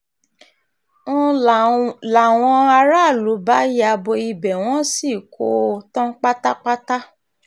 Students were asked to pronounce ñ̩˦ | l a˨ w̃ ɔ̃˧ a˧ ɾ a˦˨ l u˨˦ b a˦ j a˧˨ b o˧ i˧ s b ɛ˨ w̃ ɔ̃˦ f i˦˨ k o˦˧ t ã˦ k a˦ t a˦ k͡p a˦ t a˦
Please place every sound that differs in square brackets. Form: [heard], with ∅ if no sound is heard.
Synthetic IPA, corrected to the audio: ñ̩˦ | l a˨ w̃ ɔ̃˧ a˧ ɾ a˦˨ l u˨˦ b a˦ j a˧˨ b o˧ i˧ [∅] b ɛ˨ w̃ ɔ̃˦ [s] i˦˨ k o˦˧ t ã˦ [k͡p] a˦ t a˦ k͡p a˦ t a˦